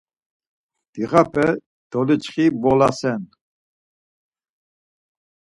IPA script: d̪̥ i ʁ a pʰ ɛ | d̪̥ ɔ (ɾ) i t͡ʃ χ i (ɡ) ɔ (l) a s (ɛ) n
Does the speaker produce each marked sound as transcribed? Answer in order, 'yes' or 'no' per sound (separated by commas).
no, no, yes, yes